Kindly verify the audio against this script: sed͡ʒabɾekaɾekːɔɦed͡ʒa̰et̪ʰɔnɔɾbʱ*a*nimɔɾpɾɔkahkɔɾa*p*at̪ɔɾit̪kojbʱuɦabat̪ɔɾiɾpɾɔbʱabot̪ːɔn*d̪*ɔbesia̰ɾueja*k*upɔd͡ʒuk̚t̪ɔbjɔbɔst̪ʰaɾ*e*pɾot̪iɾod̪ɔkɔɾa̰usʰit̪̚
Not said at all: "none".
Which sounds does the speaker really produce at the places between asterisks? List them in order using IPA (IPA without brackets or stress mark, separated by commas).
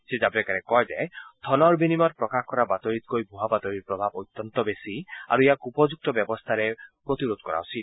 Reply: i, b, t̪, k, e